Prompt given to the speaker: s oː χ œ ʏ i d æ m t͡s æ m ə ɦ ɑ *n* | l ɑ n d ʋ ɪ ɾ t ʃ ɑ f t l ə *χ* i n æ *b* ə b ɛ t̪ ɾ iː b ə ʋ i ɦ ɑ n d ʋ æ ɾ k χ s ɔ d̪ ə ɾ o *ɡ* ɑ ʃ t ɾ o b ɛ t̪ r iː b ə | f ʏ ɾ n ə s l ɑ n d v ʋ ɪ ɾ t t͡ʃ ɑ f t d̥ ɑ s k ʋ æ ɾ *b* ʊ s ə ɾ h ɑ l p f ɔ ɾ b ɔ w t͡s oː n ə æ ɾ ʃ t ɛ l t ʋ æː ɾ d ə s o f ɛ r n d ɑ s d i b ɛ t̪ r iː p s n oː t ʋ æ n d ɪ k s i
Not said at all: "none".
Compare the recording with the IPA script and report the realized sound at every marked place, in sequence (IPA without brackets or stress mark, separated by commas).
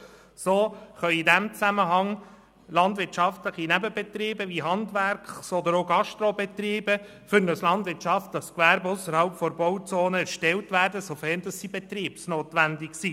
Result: ŋ, χ, b, ɡ, b